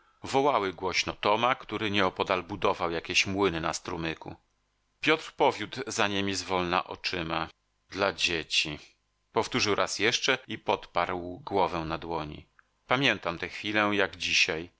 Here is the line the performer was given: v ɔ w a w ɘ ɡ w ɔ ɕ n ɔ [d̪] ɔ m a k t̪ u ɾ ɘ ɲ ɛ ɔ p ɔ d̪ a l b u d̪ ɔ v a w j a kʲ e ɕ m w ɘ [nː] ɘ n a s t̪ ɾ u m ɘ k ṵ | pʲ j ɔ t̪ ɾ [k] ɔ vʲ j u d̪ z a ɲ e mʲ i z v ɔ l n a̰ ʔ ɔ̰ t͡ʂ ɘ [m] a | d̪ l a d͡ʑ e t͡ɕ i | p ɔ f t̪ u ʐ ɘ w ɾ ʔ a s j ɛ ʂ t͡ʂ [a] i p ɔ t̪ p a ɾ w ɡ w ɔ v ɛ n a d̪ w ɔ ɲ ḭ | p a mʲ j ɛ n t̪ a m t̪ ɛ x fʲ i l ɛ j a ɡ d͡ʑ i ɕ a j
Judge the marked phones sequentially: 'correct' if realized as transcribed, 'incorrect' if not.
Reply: incorrect: t̪, incorrect: n, incorrect: p, correct, incorrect: ɛ

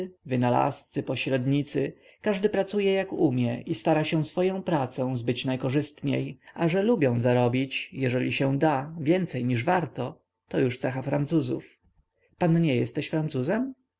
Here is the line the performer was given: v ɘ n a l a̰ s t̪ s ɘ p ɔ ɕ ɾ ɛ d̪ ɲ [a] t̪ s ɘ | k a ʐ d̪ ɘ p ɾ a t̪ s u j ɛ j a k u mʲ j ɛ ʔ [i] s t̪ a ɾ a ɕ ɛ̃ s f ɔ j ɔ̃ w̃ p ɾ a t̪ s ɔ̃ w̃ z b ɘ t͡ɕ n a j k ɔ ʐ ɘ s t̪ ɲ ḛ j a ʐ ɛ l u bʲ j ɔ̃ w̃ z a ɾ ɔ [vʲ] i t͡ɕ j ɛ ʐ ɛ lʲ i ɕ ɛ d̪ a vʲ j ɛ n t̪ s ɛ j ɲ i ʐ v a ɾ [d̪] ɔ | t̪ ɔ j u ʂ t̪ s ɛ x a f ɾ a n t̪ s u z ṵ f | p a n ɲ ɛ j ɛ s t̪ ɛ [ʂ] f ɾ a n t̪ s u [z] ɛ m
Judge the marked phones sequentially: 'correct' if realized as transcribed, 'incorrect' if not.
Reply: incorrect: i, correct, incorrect: bʲ, incorrect: t̪, incorrect: ɕ, correct

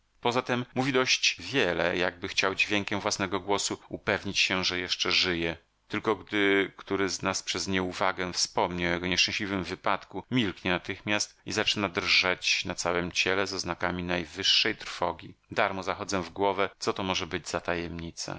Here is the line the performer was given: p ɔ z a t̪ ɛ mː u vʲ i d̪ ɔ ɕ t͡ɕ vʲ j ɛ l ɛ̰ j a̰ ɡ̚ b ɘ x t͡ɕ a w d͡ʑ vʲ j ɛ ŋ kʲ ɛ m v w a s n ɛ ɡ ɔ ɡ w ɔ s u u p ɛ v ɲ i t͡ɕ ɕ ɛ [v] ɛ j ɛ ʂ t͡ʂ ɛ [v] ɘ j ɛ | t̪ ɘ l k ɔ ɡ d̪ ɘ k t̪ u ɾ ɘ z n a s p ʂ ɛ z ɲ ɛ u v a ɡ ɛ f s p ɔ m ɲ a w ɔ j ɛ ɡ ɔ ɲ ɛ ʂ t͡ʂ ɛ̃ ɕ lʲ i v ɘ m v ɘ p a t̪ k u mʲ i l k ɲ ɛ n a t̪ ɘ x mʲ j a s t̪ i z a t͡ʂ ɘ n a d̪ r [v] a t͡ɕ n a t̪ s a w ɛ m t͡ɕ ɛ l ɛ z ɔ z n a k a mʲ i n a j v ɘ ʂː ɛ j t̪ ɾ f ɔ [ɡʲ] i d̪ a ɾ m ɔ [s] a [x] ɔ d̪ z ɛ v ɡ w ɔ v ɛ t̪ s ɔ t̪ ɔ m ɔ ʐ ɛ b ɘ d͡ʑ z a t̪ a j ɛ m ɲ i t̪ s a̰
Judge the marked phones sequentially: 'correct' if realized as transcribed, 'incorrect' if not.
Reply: incorrect: ʐ, incorrect: ʐ, incorrect: ʐ, correct, incorrect: z, correct

